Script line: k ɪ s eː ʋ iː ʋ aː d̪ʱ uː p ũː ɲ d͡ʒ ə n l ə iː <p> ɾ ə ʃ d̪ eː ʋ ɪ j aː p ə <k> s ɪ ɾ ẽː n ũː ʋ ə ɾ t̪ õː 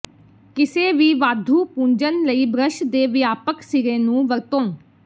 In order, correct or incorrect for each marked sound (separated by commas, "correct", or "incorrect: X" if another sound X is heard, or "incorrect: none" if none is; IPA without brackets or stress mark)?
incorrect: b, correct